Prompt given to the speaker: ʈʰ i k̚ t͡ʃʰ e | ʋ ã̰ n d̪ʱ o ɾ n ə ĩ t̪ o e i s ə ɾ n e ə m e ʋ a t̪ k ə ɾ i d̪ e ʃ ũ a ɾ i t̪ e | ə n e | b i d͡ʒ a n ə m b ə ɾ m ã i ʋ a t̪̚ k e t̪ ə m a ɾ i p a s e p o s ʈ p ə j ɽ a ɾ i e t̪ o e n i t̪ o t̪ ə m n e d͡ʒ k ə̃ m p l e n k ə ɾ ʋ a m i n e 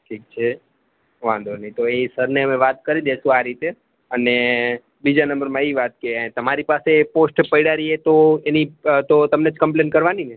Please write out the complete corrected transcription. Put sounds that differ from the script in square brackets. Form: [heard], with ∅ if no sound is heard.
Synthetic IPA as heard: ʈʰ i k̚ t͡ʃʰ e | ʋ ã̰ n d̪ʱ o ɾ n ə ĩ t̪ o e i s ə ɾ n e ə m e ʋ a t̪ k ə ɾ i d̪ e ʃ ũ a ɾ i t̪ e | ə n e | b i d͡ʒ a n ə m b ə ɾ m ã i ʋ a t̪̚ k e t̪ ə m a ɾ i p a s e p o s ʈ p ə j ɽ a ɾ i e t̪ o e n i t̪ o t̪ ə m n e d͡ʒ k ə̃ m p l e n k ə ɾ ʋ a [n] i n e